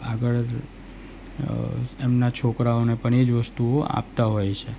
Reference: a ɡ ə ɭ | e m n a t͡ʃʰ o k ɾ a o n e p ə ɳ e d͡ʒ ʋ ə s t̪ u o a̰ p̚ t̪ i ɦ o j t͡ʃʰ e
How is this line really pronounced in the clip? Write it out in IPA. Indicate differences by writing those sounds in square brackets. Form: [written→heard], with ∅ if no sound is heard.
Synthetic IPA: a ɡ ə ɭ | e m n a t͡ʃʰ o k ɾ a o n e p ə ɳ e d͡ʒ ʋ ə s t̪ u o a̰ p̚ t̪ [i→a] ɦ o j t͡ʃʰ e

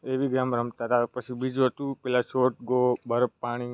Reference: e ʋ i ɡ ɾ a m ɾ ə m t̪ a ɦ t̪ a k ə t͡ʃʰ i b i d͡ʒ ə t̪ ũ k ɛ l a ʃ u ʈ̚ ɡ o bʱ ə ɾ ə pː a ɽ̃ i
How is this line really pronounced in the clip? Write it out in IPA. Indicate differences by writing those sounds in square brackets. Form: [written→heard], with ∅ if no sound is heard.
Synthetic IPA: e ʋ i ɡ ɾ a m ɾ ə m t̪ a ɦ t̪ a [k→p] ə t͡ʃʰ i b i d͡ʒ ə t̪ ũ [k→p] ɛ l a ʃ [u→o] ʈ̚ ɡ o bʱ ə ɾ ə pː a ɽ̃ i

